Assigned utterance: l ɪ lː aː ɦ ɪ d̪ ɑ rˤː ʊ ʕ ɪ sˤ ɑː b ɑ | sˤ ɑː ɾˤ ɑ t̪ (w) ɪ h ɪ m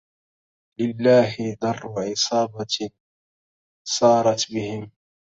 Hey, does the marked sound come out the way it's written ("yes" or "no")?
no